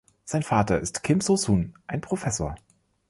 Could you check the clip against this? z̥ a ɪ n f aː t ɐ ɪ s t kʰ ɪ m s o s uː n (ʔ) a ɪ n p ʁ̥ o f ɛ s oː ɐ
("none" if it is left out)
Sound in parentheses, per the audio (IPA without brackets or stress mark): ʔ